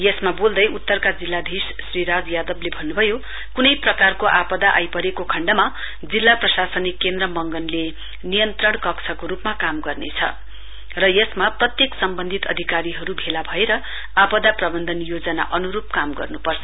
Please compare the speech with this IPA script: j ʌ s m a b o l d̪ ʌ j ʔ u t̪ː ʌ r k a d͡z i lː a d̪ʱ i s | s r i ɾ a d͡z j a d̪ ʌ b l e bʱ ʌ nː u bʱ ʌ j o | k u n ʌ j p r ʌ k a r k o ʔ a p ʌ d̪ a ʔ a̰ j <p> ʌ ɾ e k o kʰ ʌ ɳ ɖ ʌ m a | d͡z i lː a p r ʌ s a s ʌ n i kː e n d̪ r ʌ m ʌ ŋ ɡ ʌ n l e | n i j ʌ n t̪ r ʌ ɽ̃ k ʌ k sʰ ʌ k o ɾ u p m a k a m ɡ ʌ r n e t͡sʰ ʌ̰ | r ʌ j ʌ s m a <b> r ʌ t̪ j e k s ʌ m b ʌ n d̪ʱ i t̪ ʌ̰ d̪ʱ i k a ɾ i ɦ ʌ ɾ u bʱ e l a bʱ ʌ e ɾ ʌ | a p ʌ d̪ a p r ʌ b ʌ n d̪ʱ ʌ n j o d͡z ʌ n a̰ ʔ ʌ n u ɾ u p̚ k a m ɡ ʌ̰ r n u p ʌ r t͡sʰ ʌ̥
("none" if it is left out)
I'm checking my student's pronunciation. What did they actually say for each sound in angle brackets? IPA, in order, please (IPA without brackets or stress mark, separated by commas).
p, p